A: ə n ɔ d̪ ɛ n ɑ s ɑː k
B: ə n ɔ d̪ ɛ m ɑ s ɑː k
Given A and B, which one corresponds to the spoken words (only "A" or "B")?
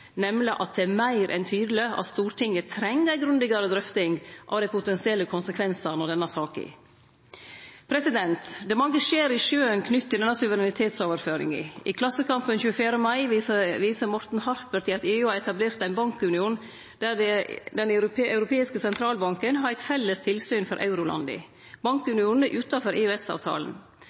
A